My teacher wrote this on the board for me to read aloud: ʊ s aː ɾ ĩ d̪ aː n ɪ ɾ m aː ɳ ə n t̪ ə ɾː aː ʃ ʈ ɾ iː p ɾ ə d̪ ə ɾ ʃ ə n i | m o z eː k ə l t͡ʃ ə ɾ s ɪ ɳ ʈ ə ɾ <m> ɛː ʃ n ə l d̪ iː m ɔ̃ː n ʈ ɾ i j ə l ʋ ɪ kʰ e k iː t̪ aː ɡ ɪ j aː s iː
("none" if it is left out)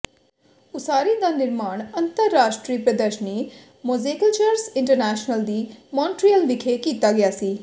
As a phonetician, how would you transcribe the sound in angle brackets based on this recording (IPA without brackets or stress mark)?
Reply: n